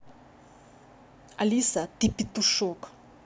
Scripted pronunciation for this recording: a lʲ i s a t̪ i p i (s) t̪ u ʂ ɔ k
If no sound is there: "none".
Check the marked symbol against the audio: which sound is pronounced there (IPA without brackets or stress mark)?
none